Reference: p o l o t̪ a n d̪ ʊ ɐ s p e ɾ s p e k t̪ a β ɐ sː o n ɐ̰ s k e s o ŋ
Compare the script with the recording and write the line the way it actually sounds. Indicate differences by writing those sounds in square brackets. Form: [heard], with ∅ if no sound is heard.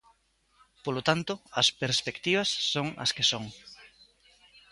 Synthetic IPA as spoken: p o l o t̪ a n [t̪] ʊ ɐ s p e ɾ s p e k t̪ [i] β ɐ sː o [ŋ] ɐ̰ s k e s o ŋ